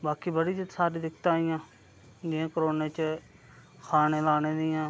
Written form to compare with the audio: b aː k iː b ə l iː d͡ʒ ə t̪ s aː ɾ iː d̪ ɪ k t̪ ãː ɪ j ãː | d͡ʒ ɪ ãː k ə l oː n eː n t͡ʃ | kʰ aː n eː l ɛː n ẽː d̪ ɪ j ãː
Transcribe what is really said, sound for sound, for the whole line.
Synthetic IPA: b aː k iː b ə ɽ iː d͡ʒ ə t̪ s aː ɾ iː d̪ ɪ k t̪ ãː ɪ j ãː | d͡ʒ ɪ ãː k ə ɾ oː n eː t͡ʃ | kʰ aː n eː l aː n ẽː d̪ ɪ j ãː

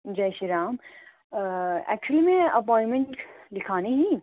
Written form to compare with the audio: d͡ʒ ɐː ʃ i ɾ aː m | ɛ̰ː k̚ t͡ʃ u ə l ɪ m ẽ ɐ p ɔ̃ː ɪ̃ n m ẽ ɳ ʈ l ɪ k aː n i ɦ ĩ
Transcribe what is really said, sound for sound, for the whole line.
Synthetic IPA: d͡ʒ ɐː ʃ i ɾ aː m | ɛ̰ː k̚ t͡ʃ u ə l i m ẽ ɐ p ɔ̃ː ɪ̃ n m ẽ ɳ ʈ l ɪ kʰ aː n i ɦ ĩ

